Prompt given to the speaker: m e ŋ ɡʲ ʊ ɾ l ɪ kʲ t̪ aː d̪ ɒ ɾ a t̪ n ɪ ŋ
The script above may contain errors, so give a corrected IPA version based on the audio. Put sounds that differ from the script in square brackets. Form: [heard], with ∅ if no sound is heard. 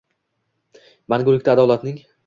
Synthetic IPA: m [a] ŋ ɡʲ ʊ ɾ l ɪ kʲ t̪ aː d̪ ɒ [l] a t̪ n ɪ ŋ